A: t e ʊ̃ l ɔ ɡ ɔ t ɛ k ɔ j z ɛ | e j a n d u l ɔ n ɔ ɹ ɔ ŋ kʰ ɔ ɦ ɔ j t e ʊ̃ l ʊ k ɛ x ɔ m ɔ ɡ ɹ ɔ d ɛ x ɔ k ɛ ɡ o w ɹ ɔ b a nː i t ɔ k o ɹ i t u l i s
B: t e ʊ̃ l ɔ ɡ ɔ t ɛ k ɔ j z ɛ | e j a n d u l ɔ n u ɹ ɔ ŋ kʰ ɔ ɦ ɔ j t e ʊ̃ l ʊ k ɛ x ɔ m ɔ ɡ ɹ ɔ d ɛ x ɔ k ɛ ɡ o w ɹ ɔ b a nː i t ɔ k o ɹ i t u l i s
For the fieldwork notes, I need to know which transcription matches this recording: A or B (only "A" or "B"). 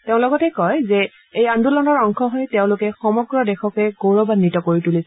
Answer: A